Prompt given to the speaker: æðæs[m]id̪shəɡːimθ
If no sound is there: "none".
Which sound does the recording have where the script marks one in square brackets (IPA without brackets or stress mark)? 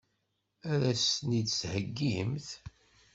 n